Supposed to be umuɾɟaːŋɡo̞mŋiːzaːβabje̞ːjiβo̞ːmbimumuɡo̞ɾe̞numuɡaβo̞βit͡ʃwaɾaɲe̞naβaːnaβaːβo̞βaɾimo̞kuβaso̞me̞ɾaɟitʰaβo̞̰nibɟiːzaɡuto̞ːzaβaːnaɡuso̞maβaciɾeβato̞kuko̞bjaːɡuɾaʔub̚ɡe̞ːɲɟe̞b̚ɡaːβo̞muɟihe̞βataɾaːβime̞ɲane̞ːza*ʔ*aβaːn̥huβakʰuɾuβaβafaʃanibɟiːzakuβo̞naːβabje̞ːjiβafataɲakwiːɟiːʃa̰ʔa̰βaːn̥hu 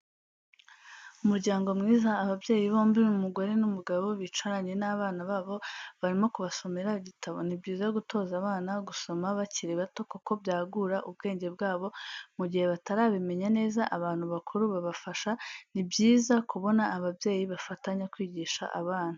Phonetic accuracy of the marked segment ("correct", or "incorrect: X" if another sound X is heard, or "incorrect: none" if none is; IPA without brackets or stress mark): correct